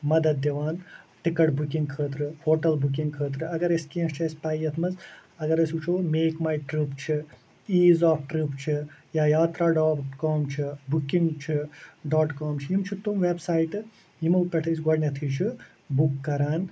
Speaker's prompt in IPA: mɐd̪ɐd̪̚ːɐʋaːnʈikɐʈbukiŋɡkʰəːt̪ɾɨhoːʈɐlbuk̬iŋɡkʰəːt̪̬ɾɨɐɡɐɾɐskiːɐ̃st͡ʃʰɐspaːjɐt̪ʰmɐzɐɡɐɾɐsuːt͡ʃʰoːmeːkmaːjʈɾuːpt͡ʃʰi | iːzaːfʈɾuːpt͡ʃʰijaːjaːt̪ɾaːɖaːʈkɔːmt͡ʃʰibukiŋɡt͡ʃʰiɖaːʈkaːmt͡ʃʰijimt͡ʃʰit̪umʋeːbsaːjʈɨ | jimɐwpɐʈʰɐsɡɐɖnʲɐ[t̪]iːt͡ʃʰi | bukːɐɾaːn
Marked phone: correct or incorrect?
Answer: incorrect: t̪ʰ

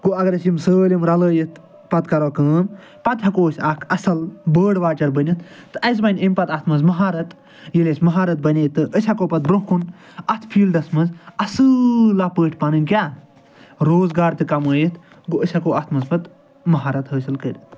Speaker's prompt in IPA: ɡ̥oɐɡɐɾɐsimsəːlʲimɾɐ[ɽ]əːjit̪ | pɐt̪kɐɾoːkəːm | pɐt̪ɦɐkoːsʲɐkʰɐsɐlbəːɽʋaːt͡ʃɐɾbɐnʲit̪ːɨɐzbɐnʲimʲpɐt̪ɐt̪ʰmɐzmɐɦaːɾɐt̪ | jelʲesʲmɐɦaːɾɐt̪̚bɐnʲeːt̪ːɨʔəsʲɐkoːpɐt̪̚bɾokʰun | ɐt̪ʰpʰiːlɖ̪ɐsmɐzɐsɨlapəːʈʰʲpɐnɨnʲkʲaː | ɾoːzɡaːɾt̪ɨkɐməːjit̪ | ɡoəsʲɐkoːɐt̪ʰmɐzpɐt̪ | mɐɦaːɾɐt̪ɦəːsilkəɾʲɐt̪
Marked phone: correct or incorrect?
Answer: incorrect: l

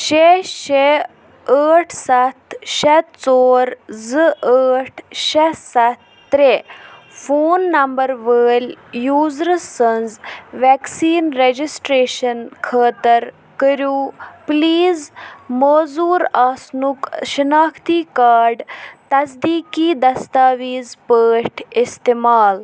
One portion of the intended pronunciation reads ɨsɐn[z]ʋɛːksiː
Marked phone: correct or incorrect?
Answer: correct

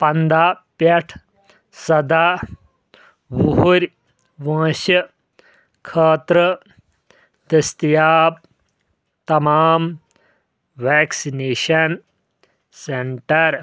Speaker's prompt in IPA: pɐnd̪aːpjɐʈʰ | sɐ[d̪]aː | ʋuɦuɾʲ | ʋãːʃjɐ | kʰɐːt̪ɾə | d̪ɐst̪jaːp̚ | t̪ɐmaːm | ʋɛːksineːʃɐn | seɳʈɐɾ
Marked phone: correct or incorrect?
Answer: correct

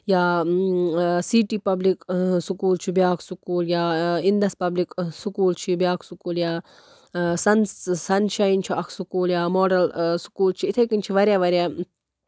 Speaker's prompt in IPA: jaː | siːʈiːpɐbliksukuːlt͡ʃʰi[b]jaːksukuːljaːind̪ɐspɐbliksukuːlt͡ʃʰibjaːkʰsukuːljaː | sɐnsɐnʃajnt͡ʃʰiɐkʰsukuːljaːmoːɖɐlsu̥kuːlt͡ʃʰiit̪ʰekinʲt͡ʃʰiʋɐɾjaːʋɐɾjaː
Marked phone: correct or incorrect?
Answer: correct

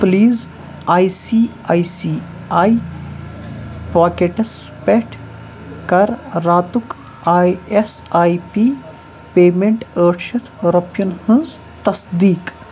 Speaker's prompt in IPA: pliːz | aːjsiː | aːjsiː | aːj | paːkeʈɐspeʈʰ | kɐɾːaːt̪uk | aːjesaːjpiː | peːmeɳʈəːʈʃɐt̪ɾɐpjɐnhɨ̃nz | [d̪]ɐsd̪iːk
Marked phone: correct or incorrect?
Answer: incorrect: t̪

